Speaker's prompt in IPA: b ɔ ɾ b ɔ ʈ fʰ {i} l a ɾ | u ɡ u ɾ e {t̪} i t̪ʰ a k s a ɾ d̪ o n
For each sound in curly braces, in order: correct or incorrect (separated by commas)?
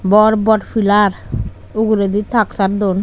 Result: correct, incorrect